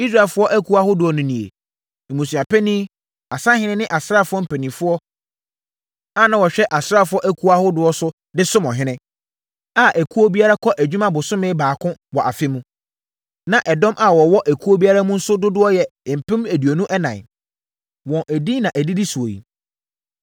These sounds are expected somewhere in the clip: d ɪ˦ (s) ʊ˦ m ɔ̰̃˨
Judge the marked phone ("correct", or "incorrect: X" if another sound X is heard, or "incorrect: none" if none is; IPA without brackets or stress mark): correct